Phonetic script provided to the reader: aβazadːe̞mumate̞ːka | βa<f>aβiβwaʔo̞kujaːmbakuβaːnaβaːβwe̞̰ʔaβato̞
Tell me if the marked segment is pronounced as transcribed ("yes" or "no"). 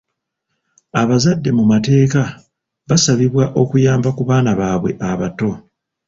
no